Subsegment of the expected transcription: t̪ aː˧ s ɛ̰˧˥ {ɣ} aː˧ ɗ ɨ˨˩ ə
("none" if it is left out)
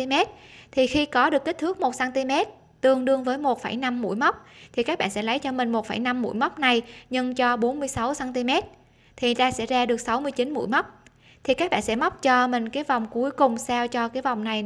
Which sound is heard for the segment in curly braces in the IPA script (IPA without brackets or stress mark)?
z